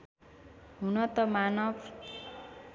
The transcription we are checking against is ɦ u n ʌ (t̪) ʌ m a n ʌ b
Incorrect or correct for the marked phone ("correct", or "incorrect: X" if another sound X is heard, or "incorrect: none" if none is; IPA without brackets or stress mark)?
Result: correct